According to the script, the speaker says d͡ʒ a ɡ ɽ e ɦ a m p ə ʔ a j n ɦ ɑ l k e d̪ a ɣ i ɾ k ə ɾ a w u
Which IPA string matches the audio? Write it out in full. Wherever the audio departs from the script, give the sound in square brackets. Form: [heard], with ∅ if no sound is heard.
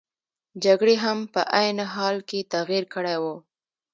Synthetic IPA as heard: d͡ʒ a ɡ ɽ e ɦ a m p ə ʔ a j n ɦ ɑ l k e [t̪] a ɣ i ɾ k ə [ɽ] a w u